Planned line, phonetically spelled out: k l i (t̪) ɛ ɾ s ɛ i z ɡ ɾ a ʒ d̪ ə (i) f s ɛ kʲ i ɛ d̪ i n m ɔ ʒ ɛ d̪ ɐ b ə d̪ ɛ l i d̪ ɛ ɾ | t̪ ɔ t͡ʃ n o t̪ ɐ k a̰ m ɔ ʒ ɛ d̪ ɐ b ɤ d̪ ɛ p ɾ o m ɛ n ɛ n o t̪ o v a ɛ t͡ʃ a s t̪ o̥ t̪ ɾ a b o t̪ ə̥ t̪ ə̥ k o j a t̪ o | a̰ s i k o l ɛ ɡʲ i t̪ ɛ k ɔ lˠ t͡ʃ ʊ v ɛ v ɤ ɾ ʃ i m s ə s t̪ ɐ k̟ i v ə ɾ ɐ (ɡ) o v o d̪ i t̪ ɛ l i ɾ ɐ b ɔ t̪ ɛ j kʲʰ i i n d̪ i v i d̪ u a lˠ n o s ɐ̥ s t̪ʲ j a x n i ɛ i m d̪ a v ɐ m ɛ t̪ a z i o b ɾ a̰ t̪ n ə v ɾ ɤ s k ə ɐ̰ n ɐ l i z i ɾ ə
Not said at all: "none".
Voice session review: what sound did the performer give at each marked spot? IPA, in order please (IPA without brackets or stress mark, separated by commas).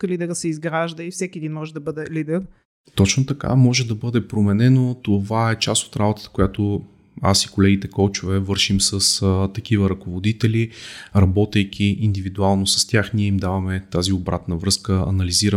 d̪, i, k